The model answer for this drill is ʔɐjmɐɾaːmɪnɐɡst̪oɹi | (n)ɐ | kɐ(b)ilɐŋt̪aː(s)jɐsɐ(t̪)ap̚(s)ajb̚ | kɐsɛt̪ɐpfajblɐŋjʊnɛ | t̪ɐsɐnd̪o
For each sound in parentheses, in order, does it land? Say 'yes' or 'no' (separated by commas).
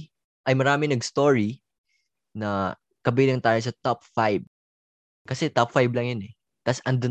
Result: yes, yes, no, yes, no